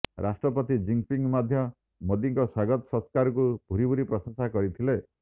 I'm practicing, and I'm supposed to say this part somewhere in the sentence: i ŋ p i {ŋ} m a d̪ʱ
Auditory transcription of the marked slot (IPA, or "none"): ŋ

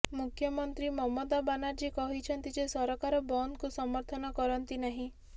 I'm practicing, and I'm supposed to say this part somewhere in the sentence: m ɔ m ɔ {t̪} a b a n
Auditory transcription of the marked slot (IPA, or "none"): d̪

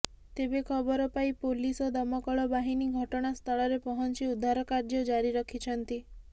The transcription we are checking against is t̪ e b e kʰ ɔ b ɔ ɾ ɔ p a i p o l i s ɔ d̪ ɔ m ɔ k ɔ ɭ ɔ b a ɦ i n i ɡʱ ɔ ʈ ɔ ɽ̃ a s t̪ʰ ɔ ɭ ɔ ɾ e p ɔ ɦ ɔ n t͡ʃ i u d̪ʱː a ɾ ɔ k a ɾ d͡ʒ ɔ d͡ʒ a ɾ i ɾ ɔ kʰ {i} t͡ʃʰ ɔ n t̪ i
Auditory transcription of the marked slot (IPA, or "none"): i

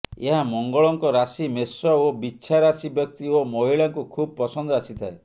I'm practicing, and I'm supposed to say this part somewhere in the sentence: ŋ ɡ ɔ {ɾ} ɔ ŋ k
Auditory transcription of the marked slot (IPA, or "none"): ɭ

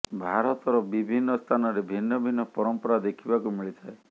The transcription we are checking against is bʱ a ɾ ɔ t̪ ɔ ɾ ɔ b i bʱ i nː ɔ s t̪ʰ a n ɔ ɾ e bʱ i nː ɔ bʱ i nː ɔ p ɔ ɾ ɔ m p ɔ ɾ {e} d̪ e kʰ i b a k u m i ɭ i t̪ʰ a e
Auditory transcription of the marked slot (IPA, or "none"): a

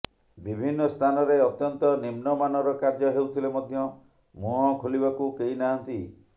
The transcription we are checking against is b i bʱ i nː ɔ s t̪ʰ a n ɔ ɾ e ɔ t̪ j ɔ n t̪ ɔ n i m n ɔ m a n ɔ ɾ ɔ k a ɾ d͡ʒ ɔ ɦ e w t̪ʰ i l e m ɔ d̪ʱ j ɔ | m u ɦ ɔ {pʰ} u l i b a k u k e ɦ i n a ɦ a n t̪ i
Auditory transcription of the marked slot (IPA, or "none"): kʰ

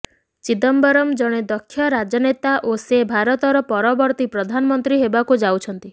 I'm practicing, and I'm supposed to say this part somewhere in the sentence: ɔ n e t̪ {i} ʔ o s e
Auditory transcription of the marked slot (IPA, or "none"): a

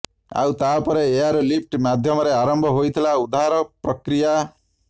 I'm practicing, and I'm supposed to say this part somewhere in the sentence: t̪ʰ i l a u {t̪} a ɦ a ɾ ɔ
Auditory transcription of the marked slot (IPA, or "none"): d̪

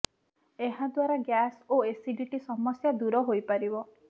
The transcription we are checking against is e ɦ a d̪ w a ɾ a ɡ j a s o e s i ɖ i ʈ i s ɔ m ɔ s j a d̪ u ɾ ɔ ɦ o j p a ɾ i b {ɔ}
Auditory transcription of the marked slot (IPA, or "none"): ɔ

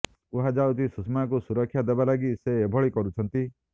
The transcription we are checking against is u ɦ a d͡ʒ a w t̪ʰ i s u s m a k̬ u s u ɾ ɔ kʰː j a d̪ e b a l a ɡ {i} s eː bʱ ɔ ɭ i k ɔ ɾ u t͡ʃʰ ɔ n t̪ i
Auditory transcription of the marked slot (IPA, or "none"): i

